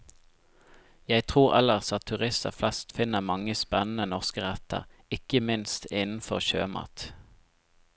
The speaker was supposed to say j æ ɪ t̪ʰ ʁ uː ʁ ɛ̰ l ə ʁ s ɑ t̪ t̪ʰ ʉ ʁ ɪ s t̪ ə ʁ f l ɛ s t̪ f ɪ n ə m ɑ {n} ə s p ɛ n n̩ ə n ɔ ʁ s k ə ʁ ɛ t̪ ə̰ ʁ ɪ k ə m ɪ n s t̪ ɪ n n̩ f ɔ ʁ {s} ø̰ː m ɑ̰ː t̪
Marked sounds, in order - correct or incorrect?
incorrect: ŋ, incorrect: ʃ

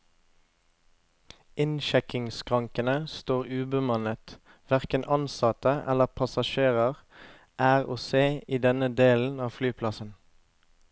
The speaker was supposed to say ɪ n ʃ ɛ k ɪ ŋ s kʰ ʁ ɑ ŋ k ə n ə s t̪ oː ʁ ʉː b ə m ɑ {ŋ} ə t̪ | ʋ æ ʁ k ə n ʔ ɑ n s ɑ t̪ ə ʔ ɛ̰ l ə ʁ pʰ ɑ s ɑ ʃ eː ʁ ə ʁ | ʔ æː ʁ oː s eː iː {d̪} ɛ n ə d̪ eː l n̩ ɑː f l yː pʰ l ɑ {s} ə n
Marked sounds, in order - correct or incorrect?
incorrect: n, correct, correct

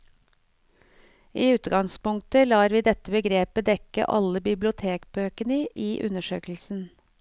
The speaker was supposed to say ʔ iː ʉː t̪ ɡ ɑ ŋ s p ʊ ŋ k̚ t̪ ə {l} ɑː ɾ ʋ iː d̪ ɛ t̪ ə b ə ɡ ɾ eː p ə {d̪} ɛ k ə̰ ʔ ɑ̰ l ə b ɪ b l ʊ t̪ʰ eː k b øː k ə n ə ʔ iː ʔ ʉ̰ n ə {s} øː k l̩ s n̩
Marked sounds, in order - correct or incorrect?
correct, correct, incorrect: ʃ

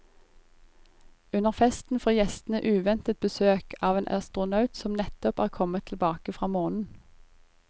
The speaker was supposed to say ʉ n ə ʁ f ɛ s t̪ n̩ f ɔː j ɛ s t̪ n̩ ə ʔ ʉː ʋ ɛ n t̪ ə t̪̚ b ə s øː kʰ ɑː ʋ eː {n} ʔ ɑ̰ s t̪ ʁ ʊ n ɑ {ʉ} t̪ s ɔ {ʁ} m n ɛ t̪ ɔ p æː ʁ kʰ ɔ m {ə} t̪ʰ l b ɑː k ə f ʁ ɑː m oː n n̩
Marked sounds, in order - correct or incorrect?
correct, correct, incorrect: none, correct

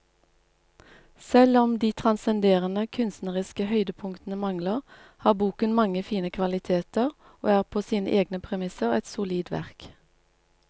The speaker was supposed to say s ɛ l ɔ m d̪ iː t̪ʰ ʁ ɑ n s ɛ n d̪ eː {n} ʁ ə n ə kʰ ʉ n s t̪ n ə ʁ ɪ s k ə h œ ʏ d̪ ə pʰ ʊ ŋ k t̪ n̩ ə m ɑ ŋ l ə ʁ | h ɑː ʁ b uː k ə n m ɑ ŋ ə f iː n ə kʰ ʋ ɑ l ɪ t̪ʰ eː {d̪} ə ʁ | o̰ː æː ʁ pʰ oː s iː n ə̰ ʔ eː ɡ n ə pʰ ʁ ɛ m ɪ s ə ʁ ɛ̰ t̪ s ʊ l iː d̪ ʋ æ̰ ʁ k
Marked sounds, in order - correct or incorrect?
incorrect: none, incorrect: t̪

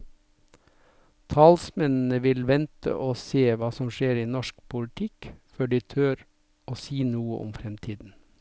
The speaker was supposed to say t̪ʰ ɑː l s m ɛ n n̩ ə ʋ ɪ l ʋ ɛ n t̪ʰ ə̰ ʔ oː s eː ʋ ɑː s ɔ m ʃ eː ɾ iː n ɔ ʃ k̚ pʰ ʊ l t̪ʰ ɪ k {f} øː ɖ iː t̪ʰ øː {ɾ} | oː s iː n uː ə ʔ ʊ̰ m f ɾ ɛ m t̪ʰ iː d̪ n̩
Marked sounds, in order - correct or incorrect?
correct, correct

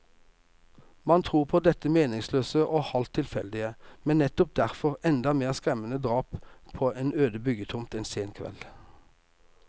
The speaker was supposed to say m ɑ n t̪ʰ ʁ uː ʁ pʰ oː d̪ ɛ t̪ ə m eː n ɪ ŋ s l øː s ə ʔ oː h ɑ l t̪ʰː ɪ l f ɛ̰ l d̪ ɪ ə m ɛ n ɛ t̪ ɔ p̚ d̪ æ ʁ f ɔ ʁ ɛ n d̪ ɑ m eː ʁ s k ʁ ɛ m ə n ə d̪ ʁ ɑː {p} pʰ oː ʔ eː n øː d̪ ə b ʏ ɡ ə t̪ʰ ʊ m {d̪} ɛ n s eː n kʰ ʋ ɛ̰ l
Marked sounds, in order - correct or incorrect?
correct, incorrect: t̪

